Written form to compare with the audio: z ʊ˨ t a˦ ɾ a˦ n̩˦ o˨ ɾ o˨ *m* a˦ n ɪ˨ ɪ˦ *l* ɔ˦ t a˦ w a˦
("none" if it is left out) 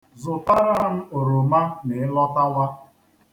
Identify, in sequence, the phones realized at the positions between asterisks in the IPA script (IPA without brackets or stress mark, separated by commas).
m, l